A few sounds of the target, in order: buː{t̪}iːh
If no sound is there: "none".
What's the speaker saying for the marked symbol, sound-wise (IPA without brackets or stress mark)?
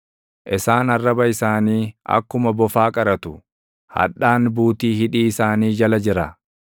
t̪